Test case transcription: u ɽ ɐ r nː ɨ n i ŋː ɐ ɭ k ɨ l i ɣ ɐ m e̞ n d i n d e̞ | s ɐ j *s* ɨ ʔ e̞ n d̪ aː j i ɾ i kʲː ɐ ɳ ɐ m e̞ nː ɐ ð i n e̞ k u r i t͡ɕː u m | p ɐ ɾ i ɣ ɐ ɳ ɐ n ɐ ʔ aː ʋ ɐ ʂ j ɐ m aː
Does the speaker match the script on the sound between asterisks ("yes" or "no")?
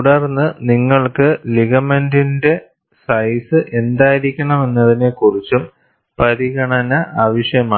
yes